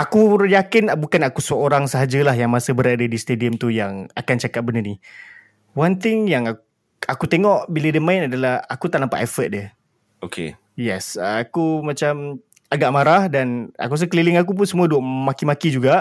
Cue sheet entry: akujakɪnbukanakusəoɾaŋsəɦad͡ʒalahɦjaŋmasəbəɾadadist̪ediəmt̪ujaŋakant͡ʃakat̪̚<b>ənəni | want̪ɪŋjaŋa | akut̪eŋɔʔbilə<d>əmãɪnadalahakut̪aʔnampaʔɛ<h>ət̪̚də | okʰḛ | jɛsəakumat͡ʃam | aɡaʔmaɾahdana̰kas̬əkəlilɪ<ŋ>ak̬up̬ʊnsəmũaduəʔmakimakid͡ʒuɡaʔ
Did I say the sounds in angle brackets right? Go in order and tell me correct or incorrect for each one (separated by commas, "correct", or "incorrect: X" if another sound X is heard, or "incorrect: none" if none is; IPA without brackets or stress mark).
correct, correct, incorrect: f, correct